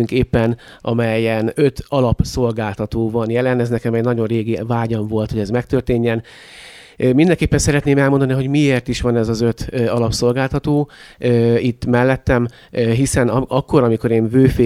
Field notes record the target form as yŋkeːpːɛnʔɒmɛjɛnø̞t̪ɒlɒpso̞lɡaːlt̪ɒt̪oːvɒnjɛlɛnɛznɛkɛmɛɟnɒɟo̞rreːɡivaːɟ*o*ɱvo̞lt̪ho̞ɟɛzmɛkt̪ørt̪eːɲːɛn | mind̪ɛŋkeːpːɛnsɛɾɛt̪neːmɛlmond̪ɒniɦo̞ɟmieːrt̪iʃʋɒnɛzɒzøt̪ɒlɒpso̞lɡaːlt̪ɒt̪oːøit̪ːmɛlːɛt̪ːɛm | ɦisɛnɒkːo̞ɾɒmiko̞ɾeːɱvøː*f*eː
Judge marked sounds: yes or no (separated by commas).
no, yes